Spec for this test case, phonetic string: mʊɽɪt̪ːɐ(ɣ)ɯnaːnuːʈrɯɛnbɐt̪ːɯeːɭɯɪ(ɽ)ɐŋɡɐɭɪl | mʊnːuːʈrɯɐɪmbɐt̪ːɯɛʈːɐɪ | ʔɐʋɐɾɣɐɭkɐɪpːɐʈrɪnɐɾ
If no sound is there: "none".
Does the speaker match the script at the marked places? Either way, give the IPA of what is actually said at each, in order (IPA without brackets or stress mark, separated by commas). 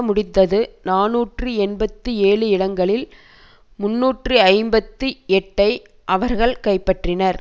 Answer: ð, ɽ